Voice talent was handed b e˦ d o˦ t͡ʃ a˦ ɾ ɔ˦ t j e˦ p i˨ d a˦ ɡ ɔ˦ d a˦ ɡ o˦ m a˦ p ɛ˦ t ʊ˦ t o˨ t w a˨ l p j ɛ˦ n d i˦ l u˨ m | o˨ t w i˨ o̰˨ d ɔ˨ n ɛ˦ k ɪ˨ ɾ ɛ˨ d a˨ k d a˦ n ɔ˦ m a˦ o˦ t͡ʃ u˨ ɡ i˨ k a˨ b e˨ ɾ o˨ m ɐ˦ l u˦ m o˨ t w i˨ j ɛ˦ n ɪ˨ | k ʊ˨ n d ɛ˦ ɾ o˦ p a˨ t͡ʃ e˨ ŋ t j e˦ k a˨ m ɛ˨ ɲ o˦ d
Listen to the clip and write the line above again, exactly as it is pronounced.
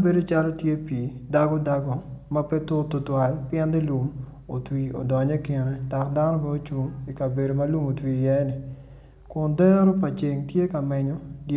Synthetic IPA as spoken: b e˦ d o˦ t͡ʃ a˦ l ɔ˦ t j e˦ p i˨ d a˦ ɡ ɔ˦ d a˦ ɡ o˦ m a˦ p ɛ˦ t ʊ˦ t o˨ t w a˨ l p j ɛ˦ n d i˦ l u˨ m | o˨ t w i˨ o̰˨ d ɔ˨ ɲ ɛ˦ k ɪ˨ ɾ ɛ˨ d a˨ k d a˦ n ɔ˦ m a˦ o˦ t͡ʃ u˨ ŋ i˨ k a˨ b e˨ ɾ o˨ m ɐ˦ l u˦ m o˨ t w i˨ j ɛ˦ n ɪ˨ | k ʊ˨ n d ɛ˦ ɾ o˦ p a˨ t͡ʃ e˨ ŋ t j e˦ k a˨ m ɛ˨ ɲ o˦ d

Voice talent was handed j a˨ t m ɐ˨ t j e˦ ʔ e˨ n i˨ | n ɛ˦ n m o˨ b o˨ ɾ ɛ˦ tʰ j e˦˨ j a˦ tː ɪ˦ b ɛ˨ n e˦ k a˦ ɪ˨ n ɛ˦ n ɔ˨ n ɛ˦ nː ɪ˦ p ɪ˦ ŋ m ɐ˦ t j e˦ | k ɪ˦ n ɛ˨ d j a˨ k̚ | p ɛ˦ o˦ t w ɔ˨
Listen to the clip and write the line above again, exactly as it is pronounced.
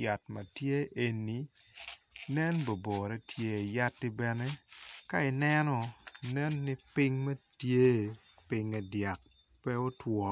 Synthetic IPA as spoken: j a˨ t m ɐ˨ t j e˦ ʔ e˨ n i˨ | n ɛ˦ n b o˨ b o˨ ɾ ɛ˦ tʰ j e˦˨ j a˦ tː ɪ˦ b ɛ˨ n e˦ k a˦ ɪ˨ n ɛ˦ n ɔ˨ n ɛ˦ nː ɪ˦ p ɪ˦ ŋ m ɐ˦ t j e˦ | p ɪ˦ ŋ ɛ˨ d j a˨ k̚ | p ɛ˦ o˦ t w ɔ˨

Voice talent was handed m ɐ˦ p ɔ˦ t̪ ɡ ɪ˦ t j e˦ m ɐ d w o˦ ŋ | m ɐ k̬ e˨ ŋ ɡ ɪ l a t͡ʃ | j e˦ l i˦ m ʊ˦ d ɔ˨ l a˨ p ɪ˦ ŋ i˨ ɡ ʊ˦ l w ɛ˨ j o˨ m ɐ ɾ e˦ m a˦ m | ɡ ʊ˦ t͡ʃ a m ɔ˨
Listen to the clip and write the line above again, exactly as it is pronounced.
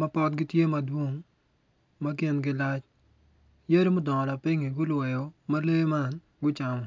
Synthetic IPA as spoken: m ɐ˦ p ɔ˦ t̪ ɡ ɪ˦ t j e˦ m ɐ d w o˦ ŋ | m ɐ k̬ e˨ n ɡ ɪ l a t͡ʃ | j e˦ ɾ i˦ m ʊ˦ d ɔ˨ l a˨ p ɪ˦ ŋ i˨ ɡ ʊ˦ l w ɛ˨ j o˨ m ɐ l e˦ m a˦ n | ɡ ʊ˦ t͡ʃ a m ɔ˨

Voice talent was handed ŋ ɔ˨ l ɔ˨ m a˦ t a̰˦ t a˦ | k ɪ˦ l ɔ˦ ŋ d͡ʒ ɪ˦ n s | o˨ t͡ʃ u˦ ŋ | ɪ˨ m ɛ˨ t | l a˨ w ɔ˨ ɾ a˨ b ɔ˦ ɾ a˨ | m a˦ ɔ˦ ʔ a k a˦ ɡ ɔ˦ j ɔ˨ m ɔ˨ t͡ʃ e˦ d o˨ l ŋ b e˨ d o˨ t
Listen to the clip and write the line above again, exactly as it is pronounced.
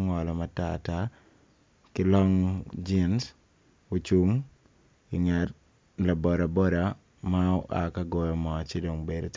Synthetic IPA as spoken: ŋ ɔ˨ l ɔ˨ m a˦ t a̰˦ t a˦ | k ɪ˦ l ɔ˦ ŋ d͡ʒ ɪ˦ n s | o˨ t͡ʃ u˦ ŋ | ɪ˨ ŋ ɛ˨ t | l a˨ b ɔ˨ ɾ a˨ b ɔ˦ ɾ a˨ | m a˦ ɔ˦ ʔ a k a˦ ɡ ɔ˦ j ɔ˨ m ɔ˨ t͡ʃ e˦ d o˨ ŋ b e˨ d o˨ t

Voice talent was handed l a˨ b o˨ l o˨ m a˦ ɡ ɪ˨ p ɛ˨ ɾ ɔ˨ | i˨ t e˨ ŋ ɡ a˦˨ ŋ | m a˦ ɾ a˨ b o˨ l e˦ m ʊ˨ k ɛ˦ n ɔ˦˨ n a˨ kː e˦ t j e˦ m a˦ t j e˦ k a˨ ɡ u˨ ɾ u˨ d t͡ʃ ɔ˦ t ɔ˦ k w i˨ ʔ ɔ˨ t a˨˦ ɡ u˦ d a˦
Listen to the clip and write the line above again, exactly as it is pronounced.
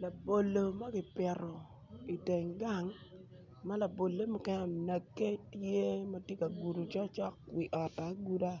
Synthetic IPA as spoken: l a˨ b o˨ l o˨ m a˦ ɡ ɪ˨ p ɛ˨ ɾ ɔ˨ | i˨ t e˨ ŋ ɡ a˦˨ ŋ | m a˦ l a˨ b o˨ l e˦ m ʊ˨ k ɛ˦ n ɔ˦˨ n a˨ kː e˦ t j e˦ m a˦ t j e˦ k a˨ ɡ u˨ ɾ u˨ t͡ʃ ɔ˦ t͡ʃ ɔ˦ k w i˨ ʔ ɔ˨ t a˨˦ ɡ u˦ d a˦

